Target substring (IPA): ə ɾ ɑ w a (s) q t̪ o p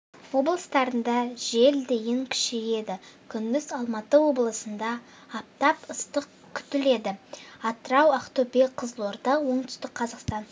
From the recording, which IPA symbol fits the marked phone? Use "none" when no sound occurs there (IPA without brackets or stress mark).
none